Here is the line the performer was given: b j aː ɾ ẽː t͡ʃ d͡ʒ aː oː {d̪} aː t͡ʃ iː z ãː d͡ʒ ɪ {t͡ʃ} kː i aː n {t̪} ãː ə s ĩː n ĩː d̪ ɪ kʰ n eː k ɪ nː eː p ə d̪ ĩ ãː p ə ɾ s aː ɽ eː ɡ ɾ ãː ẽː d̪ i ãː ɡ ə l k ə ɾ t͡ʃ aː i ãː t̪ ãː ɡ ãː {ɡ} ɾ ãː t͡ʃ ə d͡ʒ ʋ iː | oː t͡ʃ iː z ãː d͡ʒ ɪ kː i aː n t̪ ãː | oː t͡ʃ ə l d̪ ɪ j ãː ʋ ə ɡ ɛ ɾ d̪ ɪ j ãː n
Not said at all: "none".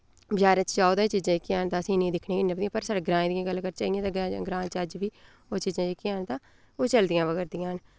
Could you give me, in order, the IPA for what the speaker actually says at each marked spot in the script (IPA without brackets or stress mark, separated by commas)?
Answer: d̪, none, t̪, ɡ